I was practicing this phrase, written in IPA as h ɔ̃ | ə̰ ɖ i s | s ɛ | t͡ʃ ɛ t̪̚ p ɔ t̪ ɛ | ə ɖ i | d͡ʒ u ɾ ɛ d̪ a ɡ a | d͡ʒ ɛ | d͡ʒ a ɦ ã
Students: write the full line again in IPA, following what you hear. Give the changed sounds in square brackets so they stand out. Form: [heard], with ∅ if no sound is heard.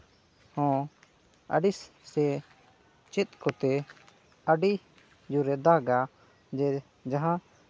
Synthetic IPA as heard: h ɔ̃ | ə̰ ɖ i s | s ɛ | t͡ʃ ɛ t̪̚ [k] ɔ t̪ ɛ | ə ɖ i | d͡ʒ u ɾ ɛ d̪ a ɡ a | d͡ʒ ɛ | d͡ʒ a ɦ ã